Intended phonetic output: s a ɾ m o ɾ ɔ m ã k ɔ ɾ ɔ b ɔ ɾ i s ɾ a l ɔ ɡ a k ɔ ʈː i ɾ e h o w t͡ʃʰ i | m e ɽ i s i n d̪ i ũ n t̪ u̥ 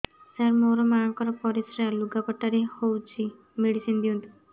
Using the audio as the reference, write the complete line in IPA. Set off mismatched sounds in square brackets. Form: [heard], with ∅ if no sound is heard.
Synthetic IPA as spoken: s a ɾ m o ɾ ɔ m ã k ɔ ɾ ɔ [p] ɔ ɾ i s ɾ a l [u] ɡ a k ɔ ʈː [a] ɾ e h o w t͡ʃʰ i | m e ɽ i s i n d̪ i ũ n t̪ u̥